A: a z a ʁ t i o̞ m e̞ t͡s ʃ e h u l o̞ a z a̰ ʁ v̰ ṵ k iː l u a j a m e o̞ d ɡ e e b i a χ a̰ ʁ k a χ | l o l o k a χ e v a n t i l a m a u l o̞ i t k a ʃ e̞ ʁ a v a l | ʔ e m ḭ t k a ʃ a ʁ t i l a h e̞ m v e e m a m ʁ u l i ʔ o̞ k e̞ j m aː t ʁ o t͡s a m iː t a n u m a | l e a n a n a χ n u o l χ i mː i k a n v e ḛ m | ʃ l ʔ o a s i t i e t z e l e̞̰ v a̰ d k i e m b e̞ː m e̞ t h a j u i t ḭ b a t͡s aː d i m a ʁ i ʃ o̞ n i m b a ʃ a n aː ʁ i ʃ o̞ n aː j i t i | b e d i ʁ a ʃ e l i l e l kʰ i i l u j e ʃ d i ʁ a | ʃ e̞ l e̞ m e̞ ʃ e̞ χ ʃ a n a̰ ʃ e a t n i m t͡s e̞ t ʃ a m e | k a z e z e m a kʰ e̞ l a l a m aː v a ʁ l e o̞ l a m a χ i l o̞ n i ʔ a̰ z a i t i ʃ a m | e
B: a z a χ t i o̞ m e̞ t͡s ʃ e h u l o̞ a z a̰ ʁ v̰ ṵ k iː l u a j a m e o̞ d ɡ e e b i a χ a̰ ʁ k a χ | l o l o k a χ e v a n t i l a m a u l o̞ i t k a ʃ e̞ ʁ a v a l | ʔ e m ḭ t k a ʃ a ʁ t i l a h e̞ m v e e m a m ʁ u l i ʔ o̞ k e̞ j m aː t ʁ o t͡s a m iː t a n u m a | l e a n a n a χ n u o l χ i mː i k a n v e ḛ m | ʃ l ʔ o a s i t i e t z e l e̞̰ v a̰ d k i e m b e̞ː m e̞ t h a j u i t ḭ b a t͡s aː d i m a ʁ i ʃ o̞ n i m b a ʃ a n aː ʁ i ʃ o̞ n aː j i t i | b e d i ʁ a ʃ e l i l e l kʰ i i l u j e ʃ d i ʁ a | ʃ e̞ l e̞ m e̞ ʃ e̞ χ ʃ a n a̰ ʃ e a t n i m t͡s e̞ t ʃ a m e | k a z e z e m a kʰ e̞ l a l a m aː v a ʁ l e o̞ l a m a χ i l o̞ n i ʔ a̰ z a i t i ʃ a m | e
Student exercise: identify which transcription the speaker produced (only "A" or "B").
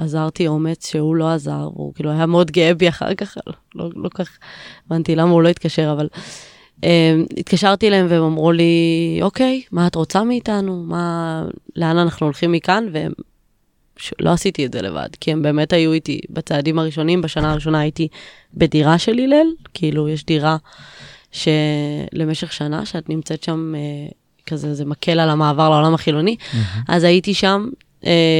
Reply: A